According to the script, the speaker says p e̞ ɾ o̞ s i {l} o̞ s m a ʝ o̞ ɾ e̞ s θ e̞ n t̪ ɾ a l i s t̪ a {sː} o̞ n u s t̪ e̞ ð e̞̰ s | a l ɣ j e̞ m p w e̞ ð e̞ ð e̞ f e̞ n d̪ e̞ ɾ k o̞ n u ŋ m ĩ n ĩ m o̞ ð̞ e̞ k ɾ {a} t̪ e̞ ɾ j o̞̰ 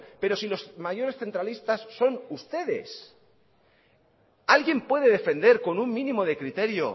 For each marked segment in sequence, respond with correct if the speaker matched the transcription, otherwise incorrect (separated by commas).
correct, correct, incorrect